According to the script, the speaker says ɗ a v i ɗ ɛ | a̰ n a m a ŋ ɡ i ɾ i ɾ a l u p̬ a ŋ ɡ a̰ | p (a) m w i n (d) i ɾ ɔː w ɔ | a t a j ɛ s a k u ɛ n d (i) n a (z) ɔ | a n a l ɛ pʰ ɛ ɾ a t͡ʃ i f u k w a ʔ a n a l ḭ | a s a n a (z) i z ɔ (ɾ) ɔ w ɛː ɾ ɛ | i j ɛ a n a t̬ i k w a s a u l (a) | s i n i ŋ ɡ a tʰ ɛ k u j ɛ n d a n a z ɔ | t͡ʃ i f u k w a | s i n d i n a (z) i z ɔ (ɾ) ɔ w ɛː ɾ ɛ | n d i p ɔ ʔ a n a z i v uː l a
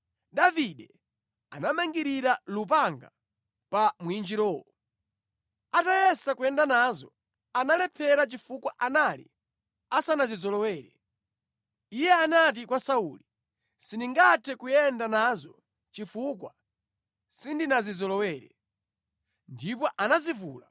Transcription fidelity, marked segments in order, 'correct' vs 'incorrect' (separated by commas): correct, incorrect, incorrect, correct, correct, incorrect, incorrect, correct, incorrect